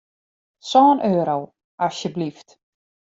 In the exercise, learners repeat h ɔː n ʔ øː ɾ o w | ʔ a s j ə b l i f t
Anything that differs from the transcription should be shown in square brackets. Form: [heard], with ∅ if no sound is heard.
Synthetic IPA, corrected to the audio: [s] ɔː n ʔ øː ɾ o w | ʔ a s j ə b l i f t